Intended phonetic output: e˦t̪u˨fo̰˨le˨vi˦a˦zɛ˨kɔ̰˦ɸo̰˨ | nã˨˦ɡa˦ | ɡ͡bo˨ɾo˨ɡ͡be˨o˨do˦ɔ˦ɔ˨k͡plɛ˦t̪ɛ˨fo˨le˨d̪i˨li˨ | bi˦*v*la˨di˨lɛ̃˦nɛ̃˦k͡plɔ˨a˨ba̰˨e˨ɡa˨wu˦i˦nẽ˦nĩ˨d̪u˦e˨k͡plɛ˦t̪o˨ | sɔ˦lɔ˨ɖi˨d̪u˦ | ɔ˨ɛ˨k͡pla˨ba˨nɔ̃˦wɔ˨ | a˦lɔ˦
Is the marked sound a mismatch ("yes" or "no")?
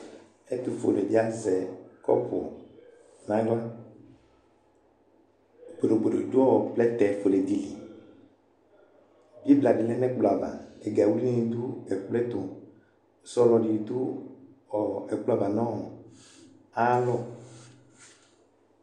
yes